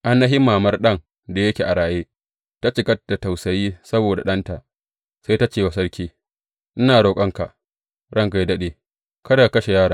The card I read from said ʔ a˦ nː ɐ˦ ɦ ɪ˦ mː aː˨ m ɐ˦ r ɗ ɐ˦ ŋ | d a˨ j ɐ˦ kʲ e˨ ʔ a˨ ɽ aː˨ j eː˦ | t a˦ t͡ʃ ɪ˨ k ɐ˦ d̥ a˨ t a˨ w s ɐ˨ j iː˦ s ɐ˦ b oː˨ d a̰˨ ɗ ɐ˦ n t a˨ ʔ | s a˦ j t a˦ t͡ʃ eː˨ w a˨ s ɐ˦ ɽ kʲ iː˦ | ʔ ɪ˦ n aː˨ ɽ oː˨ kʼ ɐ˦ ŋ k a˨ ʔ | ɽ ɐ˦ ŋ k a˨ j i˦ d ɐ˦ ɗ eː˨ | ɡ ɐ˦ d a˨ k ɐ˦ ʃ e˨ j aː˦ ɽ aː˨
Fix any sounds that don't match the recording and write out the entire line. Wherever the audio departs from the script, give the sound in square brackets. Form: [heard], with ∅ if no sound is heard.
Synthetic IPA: ʔ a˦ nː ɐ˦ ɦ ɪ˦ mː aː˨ m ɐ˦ r ɗ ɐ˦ ŋ | d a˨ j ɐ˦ kʲ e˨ ʔ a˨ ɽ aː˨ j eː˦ | t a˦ t͡ʃ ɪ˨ k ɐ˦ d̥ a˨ t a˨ w s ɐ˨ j iː˦ s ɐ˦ b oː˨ d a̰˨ ɗ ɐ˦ n t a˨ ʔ | s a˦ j t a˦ t͡ʃ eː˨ w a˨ s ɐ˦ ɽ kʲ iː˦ | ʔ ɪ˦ n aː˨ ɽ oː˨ kʼ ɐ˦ ŋ k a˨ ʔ | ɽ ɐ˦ ŋ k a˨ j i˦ d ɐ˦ ɗ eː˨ | [k] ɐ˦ d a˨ k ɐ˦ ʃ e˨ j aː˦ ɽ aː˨